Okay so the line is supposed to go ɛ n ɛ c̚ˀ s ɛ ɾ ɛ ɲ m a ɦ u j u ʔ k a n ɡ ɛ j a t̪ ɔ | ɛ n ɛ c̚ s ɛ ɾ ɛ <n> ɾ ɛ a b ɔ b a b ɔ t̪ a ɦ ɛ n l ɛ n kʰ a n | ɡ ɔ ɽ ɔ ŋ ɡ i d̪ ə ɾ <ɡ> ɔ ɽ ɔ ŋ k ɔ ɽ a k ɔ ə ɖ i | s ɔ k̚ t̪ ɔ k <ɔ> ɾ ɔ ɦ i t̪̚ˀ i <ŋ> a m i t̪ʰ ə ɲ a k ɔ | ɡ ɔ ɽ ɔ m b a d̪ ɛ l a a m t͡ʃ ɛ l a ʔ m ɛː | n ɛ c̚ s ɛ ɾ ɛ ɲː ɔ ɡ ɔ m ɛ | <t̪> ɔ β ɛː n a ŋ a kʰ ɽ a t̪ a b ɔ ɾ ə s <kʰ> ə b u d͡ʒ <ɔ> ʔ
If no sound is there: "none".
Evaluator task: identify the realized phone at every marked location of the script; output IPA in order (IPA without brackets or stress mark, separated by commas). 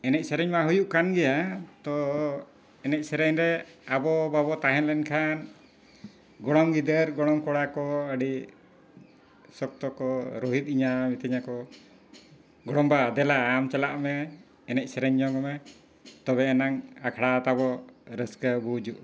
ɲ, ɡ, ɔ, ɲ, t̪, k, u